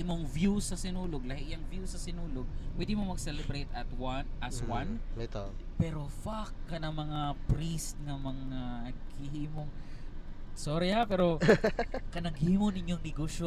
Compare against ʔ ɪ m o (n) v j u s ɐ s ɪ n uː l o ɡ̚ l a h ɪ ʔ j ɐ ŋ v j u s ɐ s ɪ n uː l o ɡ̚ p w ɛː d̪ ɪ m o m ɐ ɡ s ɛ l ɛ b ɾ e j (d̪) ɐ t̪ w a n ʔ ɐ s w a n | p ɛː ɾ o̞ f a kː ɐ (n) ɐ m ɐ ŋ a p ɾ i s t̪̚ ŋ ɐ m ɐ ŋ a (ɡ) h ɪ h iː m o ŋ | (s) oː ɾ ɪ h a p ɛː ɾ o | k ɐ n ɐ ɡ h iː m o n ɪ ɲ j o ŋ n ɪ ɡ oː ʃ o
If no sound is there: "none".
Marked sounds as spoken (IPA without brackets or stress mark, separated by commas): ŋ, t̪, n, ɡ, s